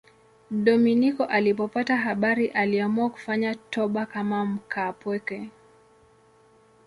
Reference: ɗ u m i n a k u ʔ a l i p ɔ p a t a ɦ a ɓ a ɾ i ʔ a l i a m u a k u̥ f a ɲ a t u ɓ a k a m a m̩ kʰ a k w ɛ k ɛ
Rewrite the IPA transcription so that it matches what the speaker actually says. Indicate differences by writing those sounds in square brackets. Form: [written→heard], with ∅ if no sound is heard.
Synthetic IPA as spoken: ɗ [u→ɔ] m i n [a→i] k [u→ɔ] ʔ a l i p ɔ p a t a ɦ a ɓ a ɾ i ʔ a l i a m u a k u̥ f a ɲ a t [u→ɔ] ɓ a k a m a m̩ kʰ a [k→p] w ɛ k ɛ